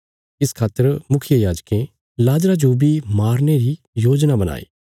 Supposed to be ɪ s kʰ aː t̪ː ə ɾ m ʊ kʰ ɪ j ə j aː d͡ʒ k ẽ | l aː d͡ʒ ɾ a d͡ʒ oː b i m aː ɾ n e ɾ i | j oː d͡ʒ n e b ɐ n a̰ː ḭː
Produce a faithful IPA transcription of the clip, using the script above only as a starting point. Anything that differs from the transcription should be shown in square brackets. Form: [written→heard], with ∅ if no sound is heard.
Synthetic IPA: ɪ s kʰ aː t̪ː ə ɾ m ʊ kʰ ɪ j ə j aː d͡ʒ k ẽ | l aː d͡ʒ ɾ a d͡ʒ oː b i m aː ɾ n e ɾ i | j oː d͡ʒ n [e→a] b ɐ n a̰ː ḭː